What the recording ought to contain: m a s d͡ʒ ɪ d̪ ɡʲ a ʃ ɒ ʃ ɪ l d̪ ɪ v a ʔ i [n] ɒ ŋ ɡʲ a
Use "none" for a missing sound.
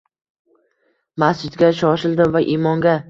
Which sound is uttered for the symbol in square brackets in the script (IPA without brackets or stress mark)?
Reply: m